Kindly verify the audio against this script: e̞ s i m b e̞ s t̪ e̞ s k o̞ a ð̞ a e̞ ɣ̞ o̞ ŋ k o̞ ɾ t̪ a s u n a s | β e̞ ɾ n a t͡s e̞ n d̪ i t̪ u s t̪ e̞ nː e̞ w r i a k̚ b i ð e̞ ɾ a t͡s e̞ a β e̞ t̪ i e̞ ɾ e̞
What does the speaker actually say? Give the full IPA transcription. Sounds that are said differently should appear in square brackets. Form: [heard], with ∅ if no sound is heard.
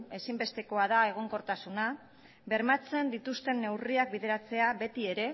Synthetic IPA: e̞ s i m b e̞ s t̪ e̞ [∅] k o̞ a ð̞ a e̞ ɣ̞ o̞ ŋ k o̞ ɾ t̪ a s u n a [∅] | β e̞ ɾ [m] a t͡s e̞ n d̪ i t̪ u s t̪ e̞ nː e̞ w r i a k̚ b i ð e̞ ɾ a t͡s e̞ a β e̞ t̪ i e̞ ɾ e̞